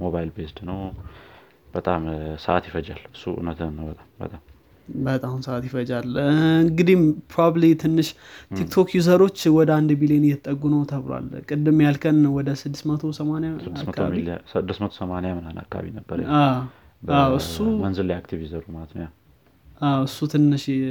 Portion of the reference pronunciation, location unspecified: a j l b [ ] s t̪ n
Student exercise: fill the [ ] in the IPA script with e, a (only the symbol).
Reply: e